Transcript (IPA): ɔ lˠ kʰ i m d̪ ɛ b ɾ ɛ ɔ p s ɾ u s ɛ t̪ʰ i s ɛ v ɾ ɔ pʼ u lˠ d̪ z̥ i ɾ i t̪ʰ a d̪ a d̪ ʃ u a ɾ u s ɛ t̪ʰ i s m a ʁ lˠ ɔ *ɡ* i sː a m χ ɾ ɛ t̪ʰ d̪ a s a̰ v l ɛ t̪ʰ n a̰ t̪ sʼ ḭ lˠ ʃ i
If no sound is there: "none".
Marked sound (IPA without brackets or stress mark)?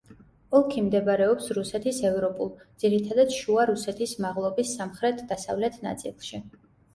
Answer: b